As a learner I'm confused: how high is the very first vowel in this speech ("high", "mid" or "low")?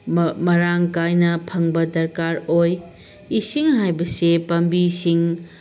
low